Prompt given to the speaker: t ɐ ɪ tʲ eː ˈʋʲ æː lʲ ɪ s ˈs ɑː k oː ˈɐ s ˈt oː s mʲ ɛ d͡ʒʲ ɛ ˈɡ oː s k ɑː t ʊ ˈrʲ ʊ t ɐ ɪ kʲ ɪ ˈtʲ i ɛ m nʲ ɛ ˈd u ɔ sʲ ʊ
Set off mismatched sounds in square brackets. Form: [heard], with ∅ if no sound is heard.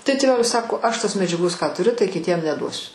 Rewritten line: t ɐ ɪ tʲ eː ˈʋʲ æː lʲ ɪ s ˈs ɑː k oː ˈɐ [ʃ] ˈt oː s mʲ ɛ d͡ʒʲ ɛ ˈɡ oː s k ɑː t ʊ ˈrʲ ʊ t ɐ ɪ kʲ ɪ ˈtʲ i ɛ m nʲ ɛ ˈd u ɔ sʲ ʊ